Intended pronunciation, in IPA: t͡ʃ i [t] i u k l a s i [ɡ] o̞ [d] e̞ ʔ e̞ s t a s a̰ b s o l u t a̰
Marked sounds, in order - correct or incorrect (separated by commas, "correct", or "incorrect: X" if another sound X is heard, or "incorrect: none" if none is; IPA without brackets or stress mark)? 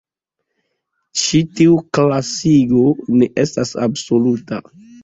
correct, correct, incorrect: n